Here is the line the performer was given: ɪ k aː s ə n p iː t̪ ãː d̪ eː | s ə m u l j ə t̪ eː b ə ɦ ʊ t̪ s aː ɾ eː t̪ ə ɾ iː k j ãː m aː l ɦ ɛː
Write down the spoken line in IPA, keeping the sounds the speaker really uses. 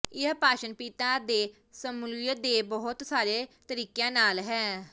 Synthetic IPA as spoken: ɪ p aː ʃ ə n p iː t̪ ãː d̪ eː | s ə m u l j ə d̪ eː b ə ɦ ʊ t̪ s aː ɾ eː t̪ ə ɾ iː k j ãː n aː l ɦ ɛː